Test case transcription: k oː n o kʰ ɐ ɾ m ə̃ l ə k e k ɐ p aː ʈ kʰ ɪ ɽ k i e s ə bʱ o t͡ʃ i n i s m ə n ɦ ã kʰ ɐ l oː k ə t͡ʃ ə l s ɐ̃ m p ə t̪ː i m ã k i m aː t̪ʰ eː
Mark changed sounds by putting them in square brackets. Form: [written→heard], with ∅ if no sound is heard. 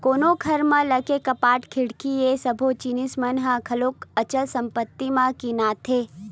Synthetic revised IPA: k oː n o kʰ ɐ ɾ m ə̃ l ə k e k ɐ p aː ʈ kʰ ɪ ɽ k i e s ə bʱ o t͡ʃ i n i s m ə n ɦ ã kʰ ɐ l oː k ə t͡ʃ ə l s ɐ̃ m p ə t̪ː i m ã k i [m→n] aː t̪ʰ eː